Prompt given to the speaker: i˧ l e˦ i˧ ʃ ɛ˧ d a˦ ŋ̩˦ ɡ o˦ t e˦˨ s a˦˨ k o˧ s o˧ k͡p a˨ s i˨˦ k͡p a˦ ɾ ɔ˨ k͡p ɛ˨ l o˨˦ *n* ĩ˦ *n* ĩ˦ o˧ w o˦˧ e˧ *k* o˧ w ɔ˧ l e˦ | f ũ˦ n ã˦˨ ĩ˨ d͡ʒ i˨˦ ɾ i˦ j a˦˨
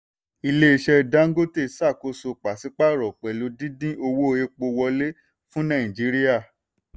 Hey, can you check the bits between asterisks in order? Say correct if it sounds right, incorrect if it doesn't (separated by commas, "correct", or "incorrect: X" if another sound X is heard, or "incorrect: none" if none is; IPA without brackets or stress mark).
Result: incorrect: d, incorrect: d, incorrect: k͡p